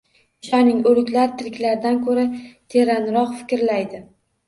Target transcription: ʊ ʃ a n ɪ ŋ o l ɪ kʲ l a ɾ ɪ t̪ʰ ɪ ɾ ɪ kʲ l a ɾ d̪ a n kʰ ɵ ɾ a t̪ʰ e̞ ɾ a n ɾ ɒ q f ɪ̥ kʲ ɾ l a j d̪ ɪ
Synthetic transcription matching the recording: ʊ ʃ a n ɪ ŋ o l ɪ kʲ l a ɾ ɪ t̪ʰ ɪ ɾ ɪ kʲ l a ɾ d̪ a n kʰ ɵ ɾ a t̪ʰ e̞ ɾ a n ɾ ɒ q f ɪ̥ kʲ ɾ l a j d̪ ɪ

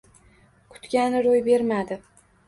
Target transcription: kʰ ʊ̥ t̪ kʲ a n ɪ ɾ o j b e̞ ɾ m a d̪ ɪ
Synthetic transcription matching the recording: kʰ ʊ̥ t̪ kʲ a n ɪ ɾ o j b e̞ ɾ m a d̪ ɪ

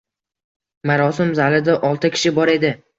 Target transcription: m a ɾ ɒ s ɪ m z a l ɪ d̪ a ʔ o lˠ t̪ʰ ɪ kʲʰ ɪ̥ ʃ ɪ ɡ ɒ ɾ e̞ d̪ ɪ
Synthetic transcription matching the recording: m a ɾ ɒ s ɪ m z a l ɪ d̪ a ʔ ɒ lˠ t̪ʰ ɪ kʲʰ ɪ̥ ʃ ɪ b ɒ ɾ e̞ d̪ ɪ

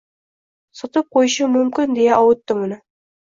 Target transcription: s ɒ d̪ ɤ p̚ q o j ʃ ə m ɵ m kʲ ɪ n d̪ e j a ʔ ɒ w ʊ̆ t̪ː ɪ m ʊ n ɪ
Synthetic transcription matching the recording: s ɒ t̪ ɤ p̚ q o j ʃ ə m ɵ m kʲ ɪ n d̪ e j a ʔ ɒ w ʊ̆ t̪ː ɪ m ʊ n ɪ

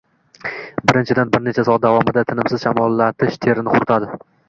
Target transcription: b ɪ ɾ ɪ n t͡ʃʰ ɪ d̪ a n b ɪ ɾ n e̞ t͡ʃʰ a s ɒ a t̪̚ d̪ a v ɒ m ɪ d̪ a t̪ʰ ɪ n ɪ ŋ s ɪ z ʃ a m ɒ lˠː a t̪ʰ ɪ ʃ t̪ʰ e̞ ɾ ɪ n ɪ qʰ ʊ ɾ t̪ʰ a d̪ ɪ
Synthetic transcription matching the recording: b ɪ ɾ ɪ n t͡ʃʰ ɪ d̪ a n b ɪ ɾ n e̞ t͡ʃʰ a s ɒ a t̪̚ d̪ a v ɒ m ɪ d̪ a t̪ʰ ɪ n ɪ m s ɪ z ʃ a m ɒ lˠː a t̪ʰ ɪ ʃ t̪ʰ e̞ ɾ ɪ n ɪ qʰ ʊ ɾ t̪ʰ a d̪ ɪ

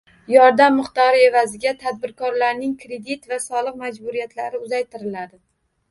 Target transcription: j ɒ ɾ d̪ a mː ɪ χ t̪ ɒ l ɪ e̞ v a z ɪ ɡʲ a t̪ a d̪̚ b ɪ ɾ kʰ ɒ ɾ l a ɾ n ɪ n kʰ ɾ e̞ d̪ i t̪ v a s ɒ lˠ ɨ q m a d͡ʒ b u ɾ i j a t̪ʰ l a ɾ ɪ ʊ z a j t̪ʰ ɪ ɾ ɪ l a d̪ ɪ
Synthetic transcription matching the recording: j ɒ ɾ d̪ a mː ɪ χ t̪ ɒ ɾ ɪ e̞ v a z ɪ ɡʲ a t̪ʰ a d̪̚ b ɪ ɾ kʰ ɒ ɾ l a ɾ n ɪ ŋ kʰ ɾ e̞ d̪ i t̪ v a s ɒ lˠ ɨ q m a d͡ʒ b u ɾ i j a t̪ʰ l a ɾ ɪ ʊ z a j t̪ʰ ɪ ɾ ɪ l a d̪ ɪ

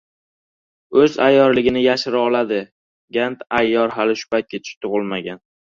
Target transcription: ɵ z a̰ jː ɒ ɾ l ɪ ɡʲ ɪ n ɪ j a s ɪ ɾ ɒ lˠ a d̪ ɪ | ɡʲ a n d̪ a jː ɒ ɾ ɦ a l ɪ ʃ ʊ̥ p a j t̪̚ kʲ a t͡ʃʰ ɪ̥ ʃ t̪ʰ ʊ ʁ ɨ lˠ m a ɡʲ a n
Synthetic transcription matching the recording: ɵ z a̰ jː ɒ ɾ l ɪ ɡʲ ɪ n ɪ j a ʃ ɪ ɾ ɒ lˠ a d̪ ɪ | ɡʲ a n t̪ a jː ɒ ɾ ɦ a l ɪ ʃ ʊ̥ p a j t̪̚ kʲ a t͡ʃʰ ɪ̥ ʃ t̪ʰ ʊ ʁ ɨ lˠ m a ɡʲ a n

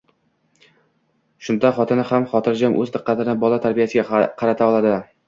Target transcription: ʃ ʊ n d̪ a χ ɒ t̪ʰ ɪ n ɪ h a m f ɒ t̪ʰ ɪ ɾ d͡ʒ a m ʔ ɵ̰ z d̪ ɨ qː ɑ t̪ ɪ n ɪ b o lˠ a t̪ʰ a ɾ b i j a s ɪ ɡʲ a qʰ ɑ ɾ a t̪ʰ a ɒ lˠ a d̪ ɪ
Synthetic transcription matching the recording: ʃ ʊ n d̪ a χ ɒ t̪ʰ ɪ n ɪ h a m χ ɒ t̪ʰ ɪ ɾ d͡ʒ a m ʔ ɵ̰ z d̪ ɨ qː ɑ t̪ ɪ n ɪ b ɒ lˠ a t̪ʰ a ɾ b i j a s ɪ ɡʲ a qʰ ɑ ɾ a t̪ʰ a ɒ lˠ a d̪ ɪ

